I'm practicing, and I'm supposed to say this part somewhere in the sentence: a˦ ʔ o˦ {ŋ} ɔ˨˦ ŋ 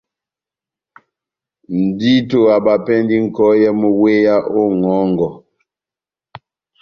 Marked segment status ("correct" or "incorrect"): correct